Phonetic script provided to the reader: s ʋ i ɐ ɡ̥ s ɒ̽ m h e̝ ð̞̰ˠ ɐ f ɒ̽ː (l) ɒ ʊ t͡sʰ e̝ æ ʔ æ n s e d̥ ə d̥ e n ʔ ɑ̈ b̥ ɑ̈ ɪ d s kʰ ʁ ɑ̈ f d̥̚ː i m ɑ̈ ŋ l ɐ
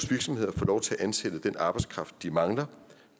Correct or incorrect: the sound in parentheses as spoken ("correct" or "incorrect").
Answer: correct